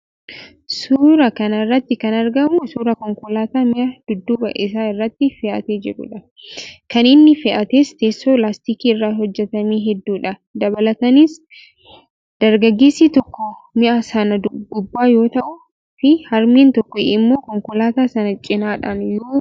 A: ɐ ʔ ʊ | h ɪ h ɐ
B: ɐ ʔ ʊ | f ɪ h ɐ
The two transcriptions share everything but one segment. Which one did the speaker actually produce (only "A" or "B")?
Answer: B